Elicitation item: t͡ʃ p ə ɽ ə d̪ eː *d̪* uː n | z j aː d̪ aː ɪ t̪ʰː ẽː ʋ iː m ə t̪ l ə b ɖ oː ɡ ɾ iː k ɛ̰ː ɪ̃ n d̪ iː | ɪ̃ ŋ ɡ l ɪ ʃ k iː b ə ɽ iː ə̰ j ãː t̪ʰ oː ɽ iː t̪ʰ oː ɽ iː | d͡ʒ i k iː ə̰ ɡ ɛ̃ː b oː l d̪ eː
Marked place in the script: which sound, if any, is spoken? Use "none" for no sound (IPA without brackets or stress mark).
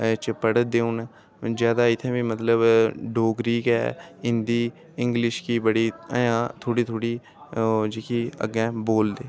none